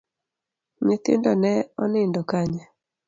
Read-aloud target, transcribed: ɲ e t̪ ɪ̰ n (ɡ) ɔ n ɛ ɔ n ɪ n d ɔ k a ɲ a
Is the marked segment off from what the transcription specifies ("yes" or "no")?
yes